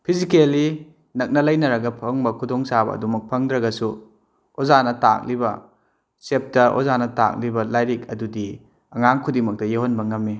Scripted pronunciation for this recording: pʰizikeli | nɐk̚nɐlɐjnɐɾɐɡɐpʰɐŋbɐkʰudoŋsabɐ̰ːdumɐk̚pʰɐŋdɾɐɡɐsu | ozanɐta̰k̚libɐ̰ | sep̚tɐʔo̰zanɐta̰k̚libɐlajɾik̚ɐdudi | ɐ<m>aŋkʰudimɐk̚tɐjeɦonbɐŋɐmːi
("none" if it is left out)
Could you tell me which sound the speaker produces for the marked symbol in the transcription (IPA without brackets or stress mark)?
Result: ŋ